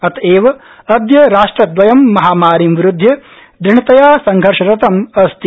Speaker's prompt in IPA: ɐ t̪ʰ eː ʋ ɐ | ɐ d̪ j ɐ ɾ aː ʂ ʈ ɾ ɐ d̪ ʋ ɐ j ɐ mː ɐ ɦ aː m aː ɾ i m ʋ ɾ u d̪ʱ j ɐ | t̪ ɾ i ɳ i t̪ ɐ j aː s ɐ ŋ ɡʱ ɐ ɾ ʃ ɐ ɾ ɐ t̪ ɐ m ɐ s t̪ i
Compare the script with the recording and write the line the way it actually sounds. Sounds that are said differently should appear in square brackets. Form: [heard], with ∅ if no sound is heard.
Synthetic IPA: ɐ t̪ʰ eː ʋ ɐ | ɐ d̪ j ɐ ɾ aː ʂ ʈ ɾ ɐ d̪ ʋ ɐ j ɐ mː ɐ ɦ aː m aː ɾ i m ʋ ɾ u d̪ʱ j ɐ | [d̪] ɾ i ɳ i t̪ ɐ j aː s ɐ ŋ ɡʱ ɐ ɾ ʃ ɐ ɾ ɐ t̪ ɐ m ɐ s t̪ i